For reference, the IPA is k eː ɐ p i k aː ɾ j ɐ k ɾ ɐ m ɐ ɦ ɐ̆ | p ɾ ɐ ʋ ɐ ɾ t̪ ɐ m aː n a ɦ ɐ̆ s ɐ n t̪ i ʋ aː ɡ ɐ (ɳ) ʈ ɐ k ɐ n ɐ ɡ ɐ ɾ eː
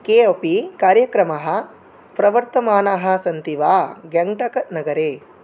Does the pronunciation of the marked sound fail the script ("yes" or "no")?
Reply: yes